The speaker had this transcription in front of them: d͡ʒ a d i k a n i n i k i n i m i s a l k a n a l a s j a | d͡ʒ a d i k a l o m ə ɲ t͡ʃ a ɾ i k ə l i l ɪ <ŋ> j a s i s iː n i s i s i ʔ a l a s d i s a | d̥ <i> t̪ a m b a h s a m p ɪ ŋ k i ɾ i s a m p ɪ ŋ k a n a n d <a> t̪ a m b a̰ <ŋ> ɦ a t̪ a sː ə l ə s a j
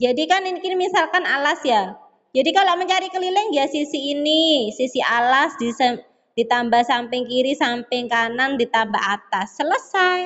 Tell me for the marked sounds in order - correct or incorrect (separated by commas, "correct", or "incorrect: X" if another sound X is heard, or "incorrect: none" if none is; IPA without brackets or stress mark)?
correct, correct, incorrect: i, incorrect: none